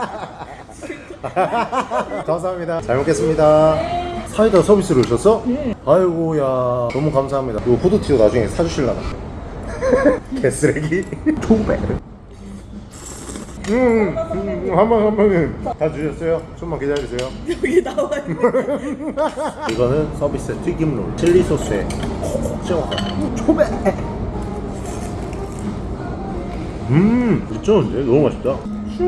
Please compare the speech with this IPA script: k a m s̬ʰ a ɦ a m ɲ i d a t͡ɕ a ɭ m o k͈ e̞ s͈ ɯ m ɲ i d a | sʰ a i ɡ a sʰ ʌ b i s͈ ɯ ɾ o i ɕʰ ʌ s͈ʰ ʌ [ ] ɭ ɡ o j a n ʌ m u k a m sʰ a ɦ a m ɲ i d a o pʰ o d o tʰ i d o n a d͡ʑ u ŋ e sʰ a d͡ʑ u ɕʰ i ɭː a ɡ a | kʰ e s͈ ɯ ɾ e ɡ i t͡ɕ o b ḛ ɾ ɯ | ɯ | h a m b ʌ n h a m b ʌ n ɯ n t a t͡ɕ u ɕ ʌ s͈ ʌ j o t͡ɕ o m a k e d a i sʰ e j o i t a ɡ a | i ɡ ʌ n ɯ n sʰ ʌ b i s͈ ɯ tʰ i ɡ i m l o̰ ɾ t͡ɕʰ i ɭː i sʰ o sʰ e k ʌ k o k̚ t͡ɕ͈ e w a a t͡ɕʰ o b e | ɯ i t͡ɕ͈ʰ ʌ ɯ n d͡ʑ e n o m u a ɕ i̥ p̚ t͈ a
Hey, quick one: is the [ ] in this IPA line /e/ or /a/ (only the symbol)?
a